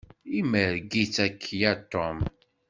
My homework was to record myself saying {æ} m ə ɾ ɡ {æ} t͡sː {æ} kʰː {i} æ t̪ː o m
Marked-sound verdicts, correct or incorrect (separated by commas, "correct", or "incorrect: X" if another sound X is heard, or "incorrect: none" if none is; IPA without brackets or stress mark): incorrect: i, incorrect: i, correct, incorrect: j